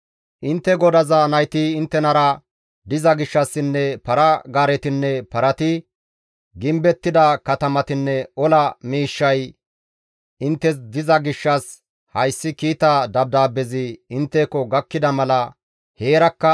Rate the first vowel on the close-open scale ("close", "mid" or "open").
close